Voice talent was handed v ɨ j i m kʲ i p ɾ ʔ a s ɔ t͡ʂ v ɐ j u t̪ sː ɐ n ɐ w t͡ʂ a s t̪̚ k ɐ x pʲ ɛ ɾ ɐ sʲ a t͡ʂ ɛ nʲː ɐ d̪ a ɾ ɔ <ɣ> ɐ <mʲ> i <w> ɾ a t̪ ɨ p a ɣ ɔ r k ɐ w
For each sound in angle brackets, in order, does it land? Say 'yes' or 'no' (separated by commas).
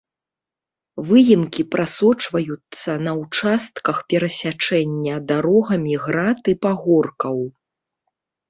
yes, yes, no